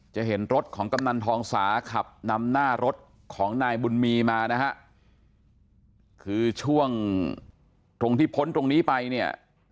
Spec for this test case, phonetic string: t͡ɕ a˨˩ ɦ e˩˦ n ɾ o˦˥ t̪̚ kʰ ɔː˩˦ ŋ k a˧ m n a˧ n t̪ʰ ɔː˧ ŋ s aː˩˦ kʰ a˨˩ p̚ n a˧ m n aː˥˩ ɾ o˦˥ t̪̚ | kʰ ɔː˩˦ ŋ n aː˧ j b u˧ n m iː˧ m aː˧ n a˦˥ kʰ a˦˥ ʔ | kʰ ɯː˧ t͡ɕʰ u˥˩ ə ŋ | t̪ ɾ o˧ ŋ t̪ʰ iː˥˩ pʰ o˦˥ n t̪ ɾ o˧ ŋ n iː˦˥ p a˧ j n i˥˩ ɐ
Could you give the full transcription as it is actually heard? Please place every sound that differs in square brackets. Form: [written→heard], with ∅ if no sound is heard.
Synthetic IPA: t͡ɕ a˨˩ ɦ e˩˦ n ɾ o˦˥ t̪̚ kʰ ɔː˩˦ ŋ k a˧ m n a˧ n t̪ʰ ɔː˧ ŋ s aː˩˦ kʰ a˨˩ p̚ n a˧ m n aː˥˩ ɾ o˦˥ t̪̚ | kʰ ɔː˩˦ ŋ n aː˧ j b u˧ n m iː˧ m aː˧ n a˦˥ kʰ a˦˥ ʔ | kʰ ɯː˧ t͡ɕʰ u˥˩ ə ŋ | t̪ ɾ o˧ ŋ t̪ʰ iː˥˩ pʰ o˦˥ n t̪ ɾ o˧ ŋ n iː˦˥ p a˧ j n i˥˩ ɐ